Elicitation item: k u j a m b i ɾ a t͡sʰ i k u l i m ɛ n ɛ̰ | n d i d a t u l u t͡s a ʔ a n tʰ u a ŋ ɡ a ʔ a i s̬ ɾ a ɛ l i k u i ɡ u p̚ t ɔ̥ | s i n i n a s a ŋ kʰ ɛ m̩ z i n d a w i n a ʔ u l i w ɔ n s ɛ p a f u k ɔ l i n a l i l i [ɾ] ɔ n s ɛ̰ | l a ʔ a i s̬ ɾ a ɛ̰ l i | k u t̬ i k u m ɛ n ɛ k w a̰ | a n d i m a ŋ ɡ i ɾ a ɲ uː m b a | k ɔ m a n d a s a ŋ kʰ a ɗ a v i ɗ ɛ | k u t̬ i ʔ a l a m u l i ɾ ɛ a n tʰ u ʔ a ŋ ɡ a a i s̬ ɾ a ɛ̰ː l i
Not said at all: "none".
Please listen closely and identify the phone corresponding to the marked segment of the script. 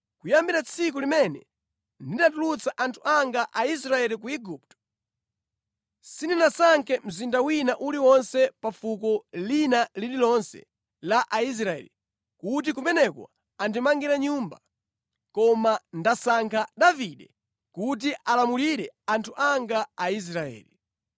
l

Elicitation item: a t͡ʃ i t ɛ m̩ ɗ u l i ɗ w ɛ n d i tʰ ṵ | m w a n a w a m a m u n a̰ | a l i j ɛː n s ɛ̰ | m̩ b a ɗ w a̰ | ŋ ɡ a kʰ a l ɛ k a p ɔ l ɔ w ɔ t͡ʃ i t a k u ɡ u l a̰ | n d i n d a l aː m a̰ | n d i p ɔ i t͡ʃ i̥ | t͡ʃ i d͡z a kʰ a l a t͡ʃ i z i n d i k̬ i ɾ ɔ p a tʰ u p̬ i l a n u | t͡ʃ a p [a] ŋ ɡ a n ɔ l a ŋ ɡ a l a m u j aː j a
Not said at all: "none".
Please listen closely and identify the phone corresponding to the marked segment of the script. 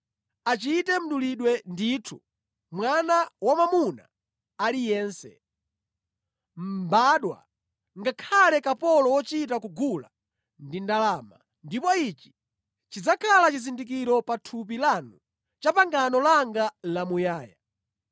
a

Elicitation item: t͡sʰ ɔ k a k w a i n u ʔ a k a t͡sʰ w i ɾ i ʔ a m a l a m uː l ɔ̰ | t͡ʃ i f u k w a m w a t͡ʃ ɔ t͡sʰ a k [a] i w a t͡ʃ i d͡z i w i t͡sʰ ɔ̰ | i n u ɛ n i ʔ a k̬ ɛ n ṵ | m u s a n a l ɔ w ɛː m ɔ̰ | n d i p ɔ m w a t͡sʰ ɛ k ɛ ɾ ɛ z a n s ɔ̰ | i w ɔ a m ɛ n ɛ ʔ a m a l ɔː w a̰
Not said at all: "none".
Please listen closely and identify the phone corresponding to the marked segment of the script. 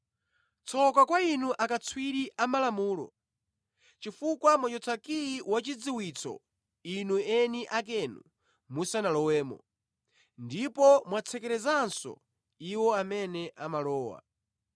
i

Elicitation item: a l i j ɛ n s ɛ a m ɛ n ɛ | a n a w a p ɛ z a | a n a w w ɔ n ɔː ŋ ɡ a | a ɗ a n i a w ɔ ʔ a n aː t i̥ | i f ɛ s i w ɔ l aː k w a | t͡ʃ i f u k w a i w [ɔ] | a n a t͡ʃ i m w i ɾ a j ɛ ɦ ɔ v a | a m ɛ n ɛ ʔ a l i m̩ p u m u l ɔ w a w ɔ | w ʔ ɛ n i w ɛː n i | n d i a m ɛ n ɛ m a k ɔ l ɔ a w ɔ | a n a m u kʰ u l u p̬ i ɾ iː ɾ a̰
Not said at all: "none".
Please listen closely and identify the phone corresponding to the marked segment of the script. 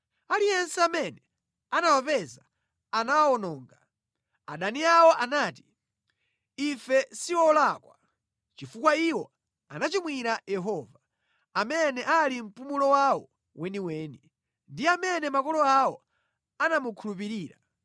ɔ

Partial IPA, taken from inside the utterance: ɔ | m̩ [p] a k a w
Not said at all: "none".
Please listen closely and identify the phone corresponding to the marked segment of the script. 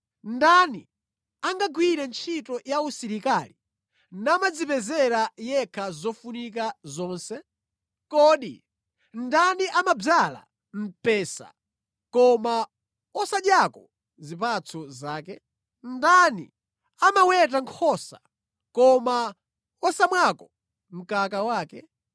k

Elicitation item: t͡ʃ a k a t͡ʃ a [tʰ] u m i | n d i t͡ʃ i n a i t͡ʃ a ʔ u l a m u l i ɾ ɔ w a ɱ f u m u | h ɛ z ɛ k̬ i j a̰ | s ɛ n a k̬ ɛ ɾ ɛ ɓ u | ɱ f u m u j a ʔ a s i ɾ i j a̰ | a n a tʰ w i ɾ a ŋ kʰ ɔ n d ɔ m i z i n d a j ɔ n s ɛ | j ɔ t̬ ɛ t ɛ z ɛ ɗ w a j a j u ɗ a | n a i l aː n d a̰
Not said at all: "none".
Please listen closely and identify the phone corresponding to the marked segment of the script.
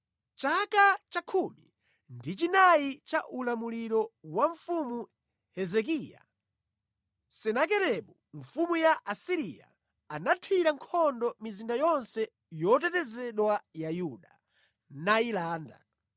kʰ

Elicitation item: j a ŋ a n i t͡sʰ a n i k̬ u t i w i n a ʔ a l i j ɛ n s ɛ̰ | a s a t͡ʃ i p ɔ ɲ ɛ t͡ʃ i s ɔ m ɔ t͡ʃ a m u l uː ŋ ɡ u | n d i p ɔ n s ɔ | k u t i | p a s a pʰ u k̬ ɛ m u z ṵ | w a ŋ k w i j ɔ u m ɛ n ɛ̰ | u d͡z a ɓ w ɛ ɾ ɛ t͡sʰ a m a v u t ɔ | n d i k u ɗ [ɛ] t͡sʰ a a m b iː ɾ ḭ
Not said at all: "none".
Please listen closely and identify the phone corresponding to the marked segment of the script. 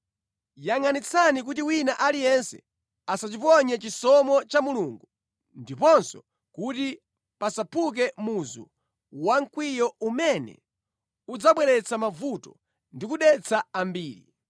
ɛ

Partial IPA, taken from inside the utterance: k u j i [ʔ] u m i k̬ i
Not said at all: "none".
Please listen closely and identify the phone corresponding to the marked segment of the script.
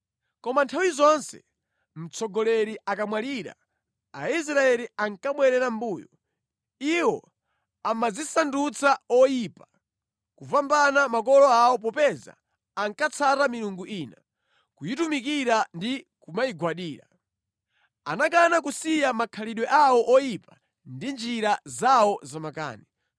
t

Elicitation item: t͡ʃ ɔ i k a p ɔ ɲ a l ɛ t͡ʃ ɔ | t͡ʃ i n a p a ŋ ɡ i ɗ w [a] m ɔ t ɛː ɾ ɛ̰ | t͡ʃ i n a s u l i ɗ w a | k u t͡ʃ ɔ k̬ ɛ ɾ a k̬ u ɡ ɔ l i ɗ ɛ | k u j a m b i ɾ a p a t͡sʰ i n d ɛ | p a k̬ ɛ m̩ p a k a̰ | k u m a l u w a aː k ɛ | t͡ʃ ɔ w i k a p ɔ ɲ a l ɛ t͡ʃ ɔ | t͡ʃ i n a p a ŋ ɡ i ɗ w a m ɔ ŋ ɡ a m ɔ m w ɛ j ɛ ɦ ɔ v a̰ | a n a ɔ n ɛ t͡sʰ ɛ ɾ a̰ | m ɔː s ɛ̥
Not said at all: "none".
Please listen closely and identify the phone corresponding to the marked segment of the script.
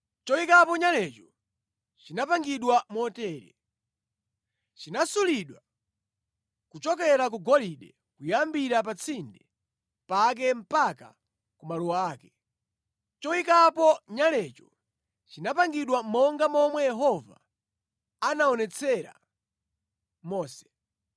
a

